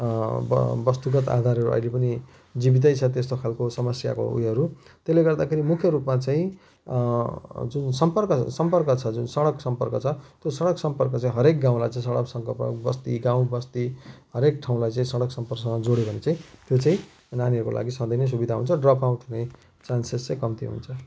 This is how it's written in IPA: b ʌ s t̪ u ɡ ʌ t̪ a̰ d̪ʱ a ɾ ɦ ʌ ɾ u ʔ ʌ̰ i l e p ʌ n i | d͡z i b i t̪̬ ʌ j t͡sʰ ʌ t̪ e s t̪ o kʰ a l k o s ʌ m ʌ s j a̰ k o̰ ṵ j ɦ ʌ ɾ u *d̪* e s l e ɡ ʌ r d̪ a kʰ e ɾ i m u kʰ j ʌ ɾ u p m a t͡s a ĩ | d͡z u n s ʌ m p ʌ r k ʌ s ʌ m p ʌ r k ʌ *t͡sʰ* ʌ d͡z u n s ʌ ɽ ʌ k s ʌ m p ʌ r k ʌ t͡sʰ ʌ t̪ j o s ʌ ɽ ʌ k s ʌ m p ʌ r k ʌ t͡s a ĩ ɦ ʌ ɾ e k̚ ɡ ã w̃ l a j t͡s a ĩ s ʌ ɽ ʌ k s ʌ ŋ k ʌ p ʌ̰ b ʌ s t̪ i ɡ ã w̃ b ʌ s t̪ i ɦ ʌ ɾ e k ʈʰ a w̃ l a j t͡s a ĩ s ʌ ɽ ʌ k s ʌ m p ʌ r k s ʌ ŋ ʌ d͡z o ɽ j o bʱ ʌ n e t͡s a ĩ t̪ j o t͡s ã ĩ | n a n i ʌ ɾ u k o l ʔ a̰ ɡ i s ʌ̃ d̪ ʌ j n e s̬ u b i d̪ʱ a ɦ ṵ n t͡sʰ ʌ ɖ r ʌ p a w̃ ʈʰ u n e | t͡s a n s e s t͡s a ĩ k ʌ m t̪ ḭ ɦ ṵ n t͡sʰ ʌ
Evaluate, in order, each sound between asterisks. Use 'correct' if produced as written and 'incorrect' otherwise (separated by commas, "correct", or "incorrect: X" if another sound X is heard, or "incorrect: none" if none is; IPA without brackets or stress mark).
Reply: incorrect: t̪, correct